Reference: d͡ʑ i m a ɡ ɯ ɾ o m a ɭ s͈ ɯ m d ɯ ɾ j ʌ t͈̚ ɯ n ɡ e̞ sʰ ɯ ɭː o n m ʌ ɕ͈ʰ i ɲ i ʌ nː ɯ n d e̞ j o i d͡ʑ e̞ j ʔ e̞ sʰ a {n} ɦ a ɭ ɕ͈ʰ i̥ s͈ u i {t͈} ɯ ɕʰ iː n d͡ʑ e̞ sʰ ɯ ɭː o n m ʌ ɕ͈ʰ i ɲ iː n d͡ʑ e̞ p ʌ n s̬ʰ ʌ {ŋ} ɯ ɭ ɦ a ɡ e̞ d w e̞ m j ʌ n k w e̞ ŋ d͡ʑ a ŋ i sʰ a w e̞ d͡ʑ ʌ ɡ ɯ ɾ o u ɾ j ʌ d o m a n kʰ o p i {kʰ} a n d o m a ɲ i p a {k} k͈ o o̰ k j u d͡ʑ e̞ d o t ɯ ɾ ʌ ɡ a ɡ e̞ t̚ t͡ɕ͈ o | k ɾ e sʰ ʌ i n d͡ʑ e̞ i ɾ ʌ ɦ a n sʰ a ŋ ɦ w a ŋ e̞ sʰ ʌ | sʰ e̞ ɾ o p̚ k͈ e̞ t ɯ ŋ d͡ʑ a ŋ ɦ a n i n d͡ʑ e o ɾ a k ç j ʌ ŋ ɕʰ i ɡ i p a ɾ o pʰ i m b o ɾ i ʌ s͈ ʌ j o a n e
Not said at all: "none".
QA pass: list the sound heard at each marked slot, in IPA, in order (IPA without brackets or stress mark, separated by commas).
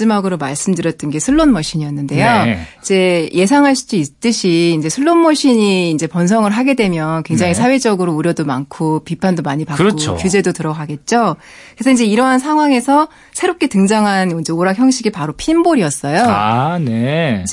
ŋ, t͈, ŋ, pʰ, k